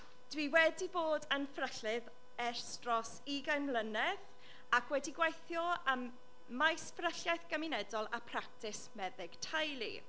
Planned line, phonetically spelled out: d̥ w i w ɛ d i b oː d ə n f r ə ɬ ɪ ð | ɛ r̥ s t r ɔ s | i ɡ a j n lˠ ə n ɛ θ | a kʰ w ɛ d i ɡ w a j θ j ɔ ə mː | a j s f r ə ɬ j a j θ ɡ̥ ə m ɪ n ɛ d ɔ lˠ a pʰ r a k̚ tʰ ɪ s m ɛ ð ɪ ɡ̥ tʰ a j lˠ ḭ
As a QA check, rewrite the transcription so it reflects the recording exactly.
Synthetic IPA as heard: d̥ w i w ɛ d i b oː d ə n f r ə ɬ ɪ ð | ɛ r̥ s t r ɔ s | i ɡ a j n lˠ ə n ɛ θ | a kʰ w ɛ d i ɡ w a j θ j ɔ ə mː | a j s f r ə ɬ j a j θ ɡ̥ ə m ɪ n ɛ d ɔ lˠ a pʰ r a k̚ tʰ ɪ s m ɛ ð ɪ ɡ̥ tʰ a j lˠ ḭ